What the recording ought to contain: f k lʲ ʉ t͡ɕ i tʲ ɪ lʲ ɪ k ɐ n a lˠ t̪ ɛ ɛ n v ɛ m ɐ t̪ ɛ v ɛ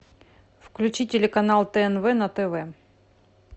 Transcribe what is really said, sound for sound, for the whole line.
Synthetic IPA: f k lʲ ʉ t͡ɕ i tʲ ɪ lʲ ɪ k ɐ n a lˠ t̪ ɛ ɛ n v ɛ n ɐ t̪ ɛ v ɛ